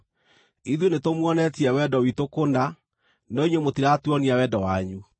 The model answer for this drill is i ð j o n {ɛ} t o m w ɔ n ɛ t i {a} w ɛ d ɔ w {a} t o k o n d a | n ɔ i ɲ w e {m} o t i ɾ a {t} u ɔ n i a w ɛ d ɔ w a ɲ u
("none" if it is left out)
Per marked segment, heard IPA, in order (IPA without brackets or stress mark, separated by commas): e, ɛ, i, m, t